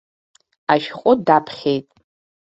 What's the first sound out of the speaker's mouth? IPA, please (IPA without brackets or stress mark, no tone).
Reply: a